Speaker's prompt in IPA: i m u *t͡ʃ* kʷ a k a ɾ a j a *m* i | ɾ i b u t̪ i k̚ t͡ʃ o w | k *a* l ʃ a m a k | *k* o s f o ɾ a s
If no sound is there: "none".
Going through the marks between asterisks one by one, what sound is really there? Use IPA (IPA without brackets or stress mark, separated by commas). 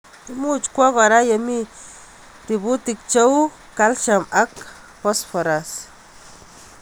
t͡ʃ, m, a, p